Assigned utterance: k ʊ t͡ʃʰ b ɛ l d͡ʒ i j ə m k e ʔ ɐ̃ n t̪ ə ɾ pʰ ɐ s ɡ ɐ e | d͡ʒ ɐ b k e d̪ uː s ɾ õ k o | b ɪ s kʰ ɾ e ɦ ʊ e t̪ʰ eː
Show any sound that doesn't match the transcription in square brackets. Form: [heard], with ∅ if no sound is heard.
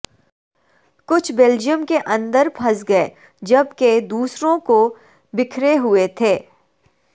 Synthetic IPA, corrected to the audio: k ʊ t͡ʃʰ b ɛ l d͡ʒ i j ə m k e ʔ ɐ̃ n [d̪] ə ɾ pʰ ɐ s ɡ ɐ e | d͡ʒ ɐ b k e d̪ uː s ɾ õ k o | b ɪ [∅] kʰ ɾ e ɦ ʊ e t̪ʰ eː